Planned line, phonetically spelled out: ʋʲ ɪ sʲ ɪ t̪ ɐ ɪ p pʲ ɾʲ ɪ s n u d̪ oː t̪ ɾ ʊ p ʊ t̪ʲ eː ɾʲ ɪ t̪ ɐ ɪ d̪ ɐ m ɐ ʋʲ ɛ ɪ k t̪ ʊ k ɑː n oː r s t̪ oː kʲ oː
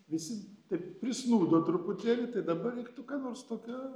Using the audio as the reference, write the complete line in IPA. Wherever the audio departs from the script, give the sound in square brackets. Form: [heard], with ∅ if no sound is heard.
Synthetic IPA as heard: ʋʲ ɪ sʲ ɪ t̪ ɐ ɪ p pʲ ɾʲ ɪ s n [uː] d̪ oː t̪ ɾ ʊ p ʊ t̪ʲ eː [lʲ] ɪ t̪ ɐ ɪ d̪ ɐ [b] ɐ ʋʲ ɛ ɪ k t̪ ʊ k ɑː n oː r s t̪ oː kʲ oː